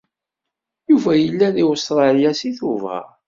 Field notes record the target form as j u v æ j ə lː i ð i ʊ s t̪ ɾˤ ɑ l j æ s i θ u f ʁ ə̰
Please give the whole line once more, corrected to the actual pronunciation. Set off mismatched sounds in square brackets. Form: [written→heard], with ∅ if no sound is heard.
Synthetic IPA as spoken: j u v æ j ə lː [i→æ] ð i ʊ s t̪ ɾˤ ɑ l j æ s i θ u [f→v] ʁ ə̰